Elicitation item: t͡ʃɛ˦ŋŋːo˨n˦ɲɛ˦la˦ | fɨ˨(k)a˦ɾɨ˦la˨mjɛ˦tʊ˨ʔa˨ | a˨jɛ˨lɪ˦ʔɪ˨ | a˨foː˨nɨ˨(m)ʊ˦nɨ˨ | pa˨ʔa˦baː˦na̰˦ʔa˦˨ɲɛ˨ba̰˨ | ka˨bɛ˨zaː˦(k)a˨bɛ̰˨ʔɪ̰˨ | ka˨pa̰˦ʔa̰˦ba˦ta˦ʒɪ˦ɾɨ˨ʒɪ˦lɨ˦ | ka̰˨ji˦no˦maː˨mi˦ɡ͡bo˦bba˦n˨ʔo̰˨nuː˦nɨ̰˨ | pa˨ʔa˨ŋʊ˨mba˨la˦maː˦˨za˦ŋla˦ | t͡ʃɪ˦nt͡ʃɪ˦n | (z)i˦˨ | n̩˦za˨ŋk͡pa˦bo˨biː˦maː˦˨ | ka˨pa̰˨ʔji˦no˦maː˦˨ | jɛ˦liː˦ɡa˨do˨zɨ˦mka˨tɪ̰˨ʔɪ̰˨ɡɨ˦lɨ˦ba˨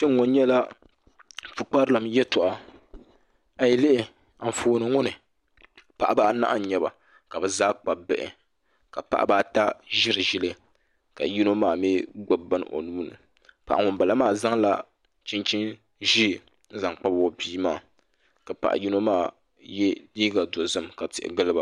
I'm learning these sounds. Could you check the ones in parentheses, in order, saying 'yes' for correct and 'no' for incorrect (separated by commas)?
no, no, no, no